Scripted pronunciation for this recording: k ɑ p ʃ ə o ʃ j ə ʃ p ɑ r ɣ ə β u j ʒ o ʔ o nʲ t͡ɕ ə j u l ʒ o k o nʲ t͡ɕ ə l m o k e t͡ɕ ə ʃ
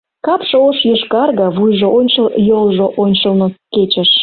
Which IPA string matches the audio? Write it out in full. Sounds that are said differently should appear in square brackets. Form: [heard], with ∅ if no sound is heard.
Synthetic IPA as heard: k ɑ p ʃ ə o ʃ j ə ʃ [k] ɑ r ɣ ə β u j ʒ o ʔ o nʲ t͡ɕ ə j [o] l ʒ o [ʔ] o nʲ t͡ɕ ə l [n] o k e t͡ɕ ə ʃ